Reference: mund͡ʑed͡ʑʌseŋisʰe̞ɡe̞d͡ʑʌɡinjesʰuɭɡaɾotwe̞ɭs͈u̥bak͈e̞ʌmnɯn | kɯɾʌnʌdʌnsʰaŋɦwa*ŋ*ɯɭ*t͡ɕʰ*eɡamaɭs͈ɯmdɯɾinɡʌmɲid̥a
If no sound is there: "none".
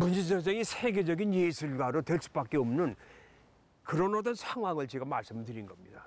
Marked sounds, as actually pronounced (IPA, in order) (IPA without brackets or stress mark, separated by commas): ŋ, t͡ɕ